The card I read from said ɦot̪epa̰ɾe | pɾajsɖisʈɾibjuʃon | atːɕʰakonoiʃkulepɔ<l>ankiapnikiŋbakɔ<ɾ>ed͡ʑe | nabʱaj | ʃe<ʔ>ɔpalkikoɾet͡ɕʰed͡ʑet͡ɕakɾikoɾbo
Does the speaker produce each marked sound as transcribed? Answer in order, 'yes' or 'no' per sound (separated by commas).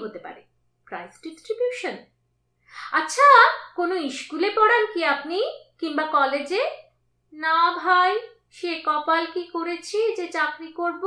no, no, no